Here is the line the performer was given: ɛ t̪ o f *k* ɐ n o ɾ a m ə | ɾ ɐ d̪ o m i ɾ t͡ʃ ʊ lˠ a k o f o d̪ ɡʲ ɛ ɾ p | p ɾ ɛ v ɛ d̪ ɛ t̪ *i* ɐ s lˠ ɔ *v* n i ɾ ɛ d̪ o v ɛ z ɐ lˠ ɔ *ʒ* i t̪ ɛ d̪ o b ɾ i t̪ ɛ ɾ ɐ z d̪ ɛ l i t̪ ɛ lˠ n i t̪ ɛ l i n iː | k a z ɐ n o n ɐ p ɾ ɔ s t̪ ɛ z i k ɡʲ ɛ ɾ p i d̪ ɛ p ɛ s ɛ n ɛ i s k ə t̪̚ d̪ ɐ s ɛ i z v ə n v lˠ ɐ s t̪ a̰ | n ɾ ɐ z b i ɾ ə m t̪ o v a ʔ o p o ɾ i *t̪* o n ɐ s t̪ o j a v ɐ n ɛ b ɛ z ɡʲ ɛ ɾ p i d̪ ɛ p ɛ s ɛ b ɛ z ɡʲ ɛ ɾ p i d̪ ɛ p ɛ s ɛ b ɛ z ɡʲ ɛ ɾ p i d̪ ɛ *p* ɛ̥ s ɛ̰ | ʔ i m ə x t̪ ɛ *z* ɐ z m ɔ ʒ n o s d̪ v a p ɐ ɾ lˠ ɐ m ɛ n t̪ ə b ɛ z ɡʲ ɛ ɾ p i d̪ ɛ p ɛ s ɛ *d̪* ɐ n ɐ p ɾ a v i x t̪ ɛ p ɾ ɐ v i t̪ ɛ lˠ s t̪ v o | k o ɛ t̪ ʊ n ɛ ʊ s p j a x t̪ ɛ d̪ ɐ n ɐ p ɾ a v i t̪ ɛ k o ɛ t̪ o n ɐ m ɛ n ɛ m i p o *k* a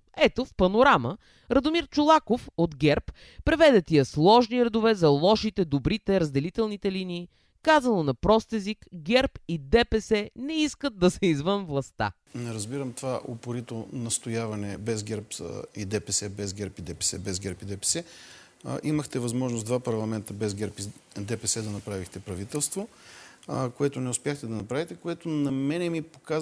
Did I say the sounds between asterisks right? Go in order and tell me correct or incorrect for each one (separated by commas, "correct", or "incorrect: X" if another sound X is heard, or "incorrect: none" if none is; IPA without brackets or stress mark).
incorrect: p, correct, incorrect: ʒ, incorrect: ʃ, correct, correct, incorrect: v, correct, correct